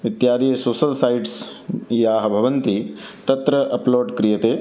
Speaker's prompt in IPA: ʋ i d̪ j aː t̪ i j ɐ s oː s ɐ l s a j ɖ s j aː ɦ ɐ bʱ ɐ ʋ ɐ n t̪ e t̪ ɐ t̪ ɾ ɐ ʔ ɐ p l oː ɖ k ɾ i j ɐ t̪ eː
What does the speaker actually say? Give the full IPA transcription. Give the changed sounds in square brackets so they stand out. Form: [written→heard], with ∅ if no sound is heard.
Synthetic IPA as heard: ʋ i [d̪→t̪] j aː [t̪→d̪] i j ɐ s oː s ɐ l s a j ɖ s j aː ɦ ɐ bʱ ɐ ʋ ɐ n t̪ [e→i] t̪ ɐ t̪ ɾ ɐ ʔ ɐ p l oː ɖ k ɾ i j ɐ t̪ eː